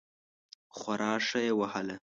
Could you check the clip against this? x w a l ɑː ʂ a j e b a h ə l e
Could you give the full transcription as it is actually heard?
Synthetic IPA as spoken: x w a ɾ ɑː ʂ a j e w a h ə l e